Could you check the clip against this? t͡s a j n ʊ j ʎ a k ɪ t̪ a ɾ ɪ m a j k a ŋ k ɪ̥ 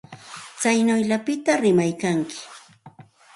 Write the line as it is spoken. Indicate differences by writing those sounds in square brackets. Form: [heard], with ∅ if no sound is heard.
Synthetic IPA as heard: t͡s a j n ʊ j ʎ a [p] ɪ t̪ a ɾ ɪ m a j k a ŋ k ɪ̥